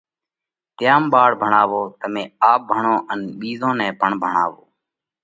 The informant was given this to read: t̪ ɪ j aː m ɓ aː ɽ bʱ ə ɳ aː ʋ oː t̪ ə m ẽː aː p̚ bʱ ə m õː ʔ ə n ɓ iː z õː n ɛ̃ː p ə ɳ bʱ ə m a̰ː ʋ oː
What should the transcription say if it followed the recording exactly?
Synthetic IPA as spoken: t̪ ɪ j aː m ɓ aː ɽ bʱ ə ɳ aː ʋ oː t̪ ə m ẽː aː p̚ bʱ ə ɳ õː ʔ ə n ɓ iː z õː n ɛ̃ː p ə ɳ bʱ ə ɳ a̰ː ʋ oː